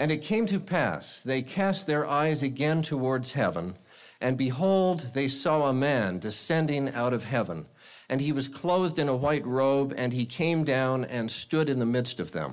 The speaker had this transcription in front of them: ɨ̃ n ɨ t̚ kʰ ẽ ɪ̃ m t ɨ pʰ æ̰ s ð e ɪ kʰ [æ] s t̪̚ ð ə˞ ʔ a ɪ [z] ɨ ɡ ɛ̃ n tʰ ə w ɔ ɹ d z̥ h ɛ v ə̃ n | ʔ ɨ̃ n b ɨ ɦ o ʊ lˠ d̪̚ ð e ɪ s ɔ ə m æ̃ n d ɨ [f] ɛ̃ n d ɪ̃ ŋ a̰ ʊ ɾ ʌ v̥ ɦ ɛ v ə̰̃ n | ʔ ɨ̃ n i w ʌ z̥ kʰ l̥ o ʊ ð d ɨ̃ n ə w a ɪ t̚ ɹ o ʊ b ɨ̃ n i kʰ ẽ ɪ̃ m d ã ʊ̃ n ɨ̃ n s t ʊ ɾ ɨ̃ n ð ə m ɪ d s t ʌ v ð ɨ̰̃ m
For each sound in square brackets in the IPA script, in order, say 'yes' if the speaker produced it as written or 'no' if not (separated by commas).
yes, yes, no